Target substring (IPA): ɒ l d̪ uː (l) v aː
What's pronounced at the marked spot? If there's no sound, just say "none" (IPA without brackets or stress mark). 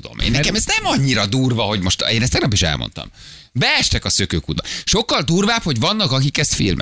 r